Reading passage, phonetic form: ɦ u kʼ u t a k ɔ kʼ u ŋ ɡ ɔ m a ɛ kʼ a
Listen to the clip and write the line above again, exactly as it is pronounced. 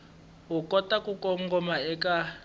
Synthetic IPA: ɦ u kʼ ɔ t a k u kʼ ɔ ŋ ɡ ɔ m a ɛ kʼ a